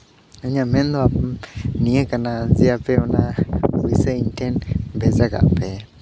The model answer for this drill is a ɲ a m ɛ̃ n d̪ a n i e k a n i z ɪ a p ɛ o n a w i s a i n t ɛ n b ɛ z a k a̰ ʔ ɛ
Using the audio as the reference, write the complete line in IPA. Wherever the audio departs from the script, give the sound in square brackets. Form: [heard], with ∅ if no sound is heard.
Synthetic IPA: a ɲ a m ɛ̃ n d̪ a n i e k a n [a] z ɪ a p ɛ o n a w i s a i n t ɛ n b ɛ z a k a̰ [p] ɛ